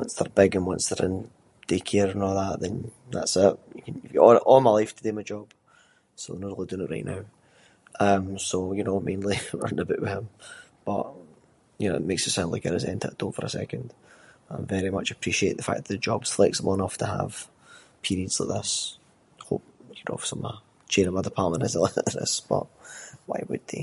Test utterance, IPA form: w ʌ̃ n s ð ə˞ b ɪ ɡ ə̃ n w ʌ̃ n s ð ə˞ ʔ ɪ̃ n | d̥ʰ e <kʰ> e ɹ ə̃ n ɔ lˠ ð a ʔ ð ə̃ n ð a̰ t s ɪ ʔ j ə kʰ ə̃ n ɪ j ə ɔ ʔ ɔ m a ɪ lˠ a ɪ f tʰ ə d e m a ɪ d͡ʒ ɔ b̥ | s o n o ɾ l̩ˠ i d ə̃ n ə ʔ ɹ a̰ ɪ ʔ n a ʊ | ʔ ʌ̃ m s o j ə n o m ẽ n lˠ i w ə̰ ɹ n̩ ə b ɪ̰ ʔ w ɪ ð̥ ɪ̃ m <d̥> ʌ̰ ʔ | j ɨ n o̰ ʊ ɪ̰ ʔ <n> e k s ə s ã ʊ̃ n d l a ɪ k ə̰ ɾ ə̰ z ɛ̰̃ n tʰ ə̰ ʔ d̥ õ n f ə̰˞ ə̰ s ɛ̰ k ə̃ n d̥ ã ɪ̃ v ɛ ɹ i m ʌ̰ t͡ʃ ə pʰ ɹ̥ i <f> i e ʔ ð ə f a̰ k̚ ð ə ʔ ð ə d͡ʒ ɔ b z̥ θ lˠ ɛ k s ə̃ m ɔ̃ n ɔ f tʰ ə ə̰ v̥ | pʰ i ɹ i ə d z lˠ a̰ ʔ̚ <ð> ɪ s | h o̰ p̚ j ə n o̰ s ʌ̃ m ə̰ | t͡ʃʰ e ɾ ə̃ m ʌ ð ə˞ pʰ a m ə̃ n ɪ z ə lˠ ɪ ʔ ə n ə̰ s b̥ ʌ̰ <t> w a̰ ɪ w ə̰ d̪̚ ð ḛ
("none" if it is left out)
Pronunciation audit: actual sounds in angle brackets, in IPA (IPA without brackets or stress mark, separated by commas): kʰ, b̥, m, ʃ, ð, ʔ